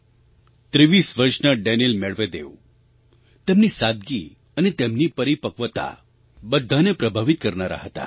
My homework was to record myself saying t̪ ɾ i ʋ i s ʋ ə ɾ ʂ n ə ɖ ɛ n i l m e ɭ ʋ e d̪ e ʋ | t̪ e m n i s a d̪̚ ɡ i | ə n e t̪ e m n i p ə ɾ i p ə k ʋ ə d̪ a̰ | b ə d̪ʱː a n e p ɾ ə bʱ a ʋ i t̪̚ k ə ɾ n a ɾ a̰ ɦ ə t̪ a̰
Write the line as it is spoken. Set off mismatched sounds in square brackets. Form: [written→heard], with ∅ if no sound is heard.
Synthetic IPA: t̪ ɾ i ʋ i s ʋ ə ɾ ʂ n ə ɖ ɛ n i l m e ɭ ʋ e d̪ e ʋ | t̪ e m n i s a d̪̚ ɡ i | ə n e t̪ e m n i p ə ɾ i p ə k ʋ ə [d̪→t̪] a̰ | b ə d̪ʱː a n e p ɾ ə bʱ a ʋ i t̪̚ k ə ɾ n a ɾ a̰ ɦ ə t̪ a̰

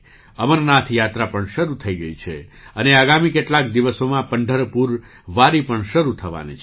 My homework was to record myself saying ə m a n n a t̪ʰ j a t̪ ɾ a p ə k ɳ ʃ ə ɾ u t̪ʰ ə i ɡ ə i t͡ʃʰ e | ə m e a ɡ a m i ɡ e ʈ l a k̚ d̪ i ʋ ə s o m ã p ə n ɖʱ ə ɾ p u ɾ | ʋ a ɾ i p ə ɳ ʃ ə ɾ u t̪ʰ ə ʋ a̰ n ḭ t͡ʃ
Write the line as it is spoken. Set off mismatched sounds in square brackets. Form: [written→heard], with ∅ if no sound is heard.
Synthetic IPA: ə m [a→ə] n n a t̪ʰ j a t̪ ɾ a p ə [k→∅] ɳ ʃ ə ɾ u t̪ʰ ə i ɡ ə i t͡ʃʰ e | ə [m→n] e a ɡ a m i [ɡ→k] e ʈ l a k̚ d̪ i ʋ ə s o m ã p ə [n→ɳ] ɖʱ ə ɾ p u ɾ | ʋ a ɾ i p ə ɳ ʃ ə ɾ u t̪ʰ ə ʋ a̰ n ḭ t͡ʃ

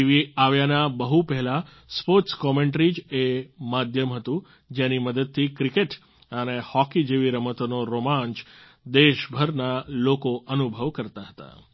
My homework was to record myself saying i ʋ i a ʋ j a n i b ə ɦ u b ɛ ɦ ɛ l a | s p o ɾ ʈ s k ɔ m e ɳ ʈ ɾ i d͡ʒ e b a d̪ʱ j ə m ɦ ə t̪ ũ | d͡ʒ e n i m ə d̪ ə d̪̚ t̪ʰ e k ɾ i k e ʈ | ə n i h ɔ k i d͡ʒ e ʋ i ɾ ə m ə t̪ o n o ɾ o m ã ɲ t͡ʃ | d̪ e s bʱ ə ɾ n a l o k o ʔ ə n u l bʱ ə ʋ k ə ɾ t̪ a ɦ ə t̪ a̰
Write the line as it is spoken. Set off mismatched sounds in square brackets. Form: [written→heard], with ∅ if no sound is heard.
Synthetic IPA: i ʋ i a ʋ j a n [i→a] b ə ɦ u [b→p] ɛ ɦ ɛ l a | s p o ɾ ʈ s k ɔ m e ɳ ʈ ɾ i d͡ʒ e [b→m] a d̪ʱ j ə m ɦ ə t̪ ũ | d͡ʒ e n i m ə d̪ ə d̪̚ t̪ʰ [e→i] k ɾ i k e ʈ | ə n [i→e] h ɔ k i d͡ʒ e ʋ i ɾ ə m ə t̪ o n o ɾ o m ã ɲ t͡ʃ | d̪ e [s→ʃ] bʱ ə ɾ n a l o k o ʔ ə n u [l→∅] bʱ ə ʋ k ə ɾ t̪ a ɦ ə t̪ a̰

